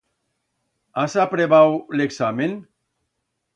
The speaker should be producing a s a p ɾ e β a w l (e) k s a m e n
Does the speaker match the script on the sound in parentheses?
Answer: yes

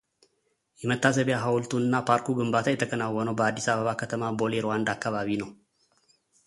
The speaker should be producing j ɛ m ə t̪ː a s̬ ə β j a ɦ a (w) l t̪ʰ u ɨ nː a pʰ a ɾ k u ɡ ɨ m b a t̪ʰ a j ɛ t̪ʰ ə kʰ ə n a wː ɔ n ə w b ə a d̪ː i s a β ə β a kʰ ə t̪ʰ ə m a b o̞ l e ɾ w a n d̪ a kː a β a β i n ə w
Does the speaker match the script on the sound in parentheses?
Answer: yes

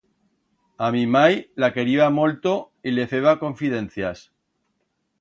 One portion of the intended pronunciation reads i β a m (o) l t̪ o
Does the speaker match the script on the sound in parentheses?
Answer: yes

